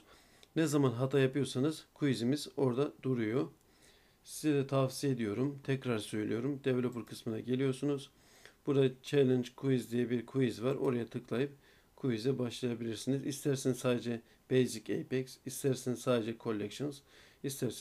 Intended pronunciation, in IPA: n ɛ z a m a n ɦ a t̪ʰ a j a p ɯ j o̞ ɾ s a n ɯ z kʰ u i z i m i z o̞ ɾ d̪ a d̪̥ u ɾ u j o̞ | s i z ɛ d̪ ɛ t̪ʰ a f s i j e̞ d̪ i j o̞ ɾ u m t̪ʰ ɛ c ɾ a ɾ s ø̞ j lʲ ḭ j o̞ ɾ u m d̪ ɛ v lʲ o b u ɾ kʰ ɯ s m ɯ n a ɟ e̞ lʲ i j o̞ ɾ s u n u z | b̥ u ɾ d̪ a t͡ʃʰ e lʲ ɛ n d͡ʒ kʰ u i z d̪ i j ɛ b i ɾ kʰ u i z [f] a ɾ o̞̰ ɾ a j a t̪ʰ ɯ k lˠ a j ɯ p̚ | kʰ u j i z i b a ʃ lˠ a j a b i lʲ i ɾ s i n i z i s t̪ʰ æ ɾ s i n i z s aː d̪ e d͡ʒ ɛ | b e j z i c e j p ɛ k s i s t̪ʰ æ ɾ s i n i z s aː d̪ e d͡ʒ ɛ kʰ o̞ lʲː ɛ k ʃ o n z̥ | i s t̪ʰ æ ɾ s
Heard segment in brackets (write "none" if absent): v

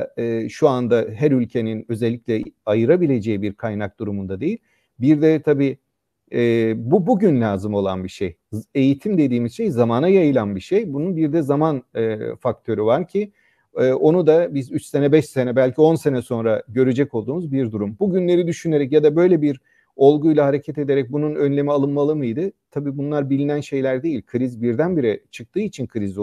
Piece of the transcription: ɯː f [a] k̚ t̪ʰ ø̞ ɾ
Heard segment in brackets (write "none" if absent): a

